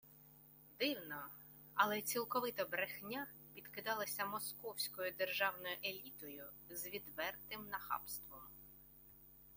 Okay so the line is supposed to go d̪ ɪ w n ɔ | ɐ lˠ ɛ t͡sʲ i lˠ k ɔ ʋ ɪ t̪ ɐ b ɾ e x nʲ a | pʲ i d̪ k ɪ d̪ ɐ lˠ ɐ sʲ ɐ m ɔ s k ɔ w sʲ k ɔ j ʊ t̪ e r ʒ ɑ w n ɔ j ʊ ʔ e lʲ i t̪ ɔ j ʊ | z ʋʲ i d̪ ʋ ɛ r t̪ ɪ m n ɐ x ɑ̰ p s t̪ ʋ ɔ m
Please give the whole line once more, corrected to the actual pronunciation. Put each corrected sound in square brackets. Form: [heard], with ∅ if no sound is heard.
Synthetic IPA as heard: d̪ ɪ w n ɔ | ɐ lˠ ɛ t͡sʲ i lˠ k ɔ ʋ ɪ t̪ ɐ b ɾ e x nʲ a | pʲ i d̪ k ɪ d̪ [ɑ] lˠ ɐ sʲ ɐ m ɔ s k ɔ w sʲ k ɔ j ʊ [d̪] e r ʒ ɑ w n ɔ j ʊ ʔ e lʲ i t̪ ɔ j ʊ | z ʋʲ i d̪ ʋ ɛ r t̪ ɪ m n ɐ x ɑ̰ p s t̪ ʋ ɔ m